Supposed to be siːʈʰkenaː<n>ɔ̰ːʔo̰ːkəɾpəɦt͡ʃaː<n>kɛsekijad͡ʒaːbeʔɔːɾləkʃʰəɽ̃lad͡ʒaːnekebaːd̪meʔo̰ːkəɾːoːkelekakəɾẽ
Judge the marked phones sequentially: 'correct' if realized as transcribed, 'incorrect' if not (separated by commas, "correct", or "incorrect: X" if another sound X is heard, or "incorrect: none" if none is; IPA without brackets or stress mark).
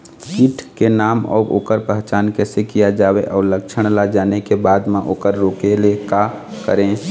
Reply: incorrect: m, correct